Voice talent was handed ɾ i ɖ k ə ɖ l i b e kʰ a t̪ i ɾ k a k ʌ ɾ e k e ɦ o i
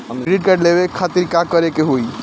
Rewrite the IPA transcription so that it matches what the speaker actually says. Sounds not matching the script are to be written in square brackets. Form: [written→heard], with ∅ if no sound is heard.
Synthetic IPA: ɾ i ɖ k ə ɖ l [i→e] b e kʰ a t̪ i ɾ k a k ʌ ɾ e k e ɦ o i